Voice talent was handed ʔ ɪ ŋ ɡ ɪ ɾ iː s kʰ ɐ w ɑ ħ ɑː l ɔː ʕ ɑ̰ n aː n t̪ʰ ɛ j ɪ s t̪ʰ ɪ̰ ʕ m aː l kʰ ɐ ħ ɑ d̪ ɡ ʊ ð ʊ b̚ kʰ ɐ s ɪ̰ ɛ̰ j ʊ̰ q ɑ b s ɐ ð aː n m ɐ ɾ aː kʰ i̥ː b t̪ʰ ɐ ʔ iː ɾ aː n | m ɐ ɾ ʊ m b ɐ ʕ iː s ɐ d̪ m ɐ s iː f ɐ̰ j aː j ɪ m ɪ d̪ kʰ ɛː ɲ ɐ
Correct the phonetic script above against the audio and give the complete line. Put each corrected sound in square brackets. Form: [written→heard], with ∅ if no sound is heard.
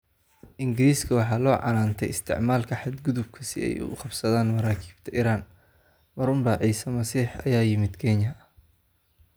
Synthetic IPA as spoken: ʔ ɪ ŋ ɡ ɪ ɾ iː s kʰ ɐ w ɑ ħ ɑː l ɔː ʕ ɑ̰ n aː n t̪ʰ ɛ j ɪ s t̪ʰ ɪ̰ ʕ m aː l kʰ ɐ ħ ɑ d̪ ɡ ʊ ð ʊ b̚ kʰ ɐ s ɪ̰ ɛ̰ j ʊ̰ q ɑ b s ɐ ð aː n m ɐ ɾ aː kʰ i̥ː b t̪ʰ ɐ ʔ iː ɾ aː n | m ɐ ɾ ʊ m b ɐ ʕ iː s ɐ [d̪→∅] m ɐ s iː [f→ħ] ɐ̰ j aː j ɪ m ɪ d̪ kʰ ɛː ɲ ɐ